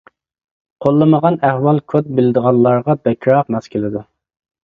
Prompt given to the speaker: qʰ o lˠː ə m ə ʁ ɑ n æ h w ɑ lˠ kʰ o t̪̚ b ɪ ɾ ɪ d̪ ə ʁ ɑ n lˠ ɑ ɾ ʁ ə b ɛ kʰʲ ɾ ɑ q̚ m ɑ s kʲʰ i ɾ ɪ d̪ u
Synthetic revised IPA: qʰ o lˠː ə m ə ʁ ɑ n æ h w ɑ lˠ kʰ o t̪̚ b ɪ l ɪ d̪ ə ʁ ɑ n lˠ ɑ ɾ ʁ ɑ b ɛ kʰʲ ɾ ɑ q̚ m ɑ s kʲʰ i l ɪ d̪ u

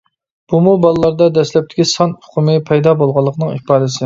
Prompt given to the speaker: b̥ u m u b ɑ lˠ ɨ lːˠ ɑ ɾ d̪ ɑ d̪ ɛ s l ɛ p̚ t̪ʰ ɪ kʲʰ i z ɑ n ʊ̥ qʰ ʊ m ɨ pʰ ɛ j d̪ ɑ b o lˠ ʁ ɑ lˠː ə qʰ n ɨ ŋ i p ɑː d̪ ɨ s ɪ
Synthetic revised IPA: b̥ u m u b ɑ lˠ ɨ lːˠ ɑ ɾ d̪ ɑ d̪ ɛ s l ɛ p̚ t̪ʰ ɪ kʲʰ i s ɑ n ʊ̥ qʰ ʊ m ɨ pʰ ɛ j d̪ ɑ b o lˠ ʁ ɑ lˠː ə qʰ n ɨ ŋ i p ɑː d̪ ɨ s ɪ

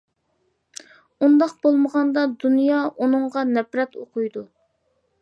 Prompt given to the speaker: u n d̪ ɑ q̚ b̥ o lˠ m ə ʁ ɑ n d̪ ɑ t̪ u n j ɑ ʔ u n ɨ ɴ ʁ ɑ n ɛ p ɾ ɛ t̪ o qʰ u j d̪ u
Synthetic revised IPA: u n d̪ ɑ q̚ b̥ o lˠ m ə ʁ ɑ n d̪ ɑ d̪ u n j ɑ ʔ u n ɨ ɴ ʁ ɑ n ɛ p ɾ ɛ t̪ o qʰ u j d̪ u

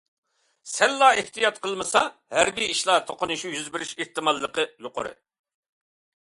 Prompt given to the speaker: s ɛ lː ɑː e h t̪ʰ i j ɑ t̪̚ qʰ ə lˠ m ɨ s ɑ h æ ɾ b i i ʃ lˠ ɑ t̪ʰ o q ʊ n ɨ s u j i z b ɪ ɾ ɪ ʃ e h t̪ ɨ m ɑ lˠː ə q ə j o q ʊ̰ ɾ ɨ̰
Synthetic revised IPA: s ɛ lː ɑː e h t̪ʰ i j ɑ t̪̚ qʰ ə lˠ m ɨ s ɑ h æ ɾ b i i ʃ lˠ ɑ t̪ʰ o q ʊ n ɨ ʃ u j y z b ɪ ɾ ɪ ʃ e h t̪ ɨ m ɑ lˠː ə q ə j o q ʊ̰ ɾ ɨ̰

